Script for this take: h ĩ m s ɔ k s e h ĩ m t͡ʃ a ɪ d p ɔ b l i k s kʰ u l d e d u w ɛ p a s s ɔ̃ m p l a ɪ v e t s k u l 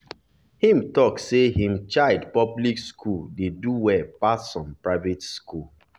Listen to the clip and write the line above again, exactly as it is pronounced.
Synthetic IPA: h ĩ m t ɔ k s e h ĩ m t͡ʃ a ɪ d p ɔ b l i k s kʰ u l d e d u w ɛ p a s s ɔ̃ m p ɹ a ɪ v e t s k u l